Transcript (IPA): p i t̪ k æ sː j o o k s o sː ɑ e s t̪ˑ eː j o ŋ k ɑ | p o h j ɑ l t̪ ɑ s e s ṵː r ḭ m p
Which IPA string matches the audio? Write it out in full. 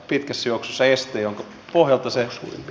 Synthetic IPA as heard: p i t̪ k æ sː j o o k s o sː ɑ e s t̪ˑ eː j o ŋ k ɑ | p o h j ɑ l t̪ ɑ s e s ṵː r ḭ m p